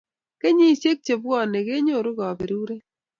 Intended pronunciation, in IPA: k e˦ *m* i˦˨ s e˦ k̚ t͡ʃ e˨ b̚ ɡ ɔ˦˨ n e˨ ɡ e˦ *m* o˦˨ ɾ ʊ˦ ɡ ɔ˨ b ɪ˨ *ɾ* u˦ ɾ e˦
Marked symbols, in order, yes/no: no, no, yes

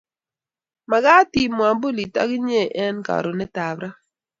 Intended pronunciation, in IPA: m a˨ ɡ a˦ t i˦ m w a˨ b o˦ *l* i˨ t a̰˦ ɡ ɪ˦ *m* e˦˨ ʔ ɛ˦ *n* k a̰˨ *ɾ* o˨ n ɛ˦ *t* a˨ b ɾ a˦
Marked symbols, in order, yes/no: yes, no, yes, yes, yes

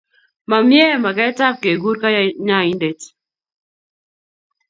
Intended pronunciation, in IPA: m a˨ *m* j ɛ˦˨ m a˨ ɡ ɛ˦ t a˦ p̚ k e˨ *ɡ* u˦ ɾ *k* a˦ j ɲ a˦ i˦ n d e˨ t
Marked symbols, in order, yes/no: yes, yes, yes

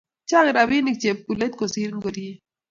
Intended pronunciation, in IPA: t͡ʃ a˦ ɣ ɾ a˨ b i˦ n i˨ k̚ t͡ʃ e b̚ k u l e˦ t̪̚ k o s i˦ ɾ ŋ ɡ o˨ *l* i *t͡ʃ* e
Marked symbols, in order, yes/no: no, no

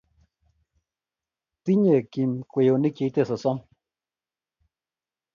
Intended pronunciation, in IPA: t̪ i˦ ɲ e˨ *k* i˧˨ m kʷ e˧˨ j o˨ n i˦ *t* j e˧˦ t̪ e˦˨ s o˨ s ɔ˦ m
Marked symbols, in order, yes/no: yes, no

